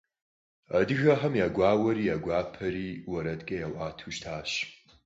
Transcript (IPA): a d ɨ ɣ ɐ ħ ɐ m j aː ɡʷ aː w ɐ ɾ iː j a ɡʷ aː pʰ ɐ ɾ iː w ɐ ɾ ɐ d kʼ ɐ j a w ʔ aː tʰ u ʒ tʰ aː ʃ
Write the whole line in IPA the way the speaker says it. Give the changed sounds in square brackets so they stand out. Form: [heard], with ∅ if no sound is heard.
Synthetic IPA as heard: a d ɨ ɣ ɐ ħ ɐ m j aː ɡʷ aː w ɐ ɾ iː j a ɡʷ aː pʰ ɐ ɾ iː w ɐ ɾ ɐ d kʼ ɐ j a w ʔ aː tʰ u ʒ tʰ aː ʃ